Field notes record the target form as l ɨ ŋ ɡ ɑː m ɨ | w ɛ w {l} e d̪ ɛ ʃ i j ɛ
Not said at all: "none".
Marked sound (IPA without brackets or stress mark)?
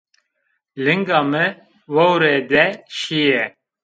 ɾ